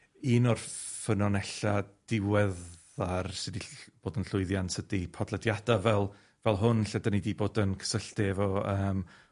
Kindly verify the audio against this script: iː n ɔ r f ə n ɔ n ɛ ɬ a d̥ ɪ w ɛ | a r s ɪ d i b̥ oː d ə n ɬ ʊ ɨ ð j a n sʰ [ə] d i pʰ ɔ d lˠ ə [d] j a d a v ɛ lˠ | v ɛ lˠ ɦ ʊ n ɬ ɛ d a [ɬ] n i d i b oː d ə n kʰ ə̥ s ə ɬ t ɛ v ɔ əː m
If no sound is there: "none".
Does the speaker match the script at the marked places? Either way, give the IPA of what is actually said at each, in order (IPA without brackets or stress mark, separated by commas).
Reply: ə, d, none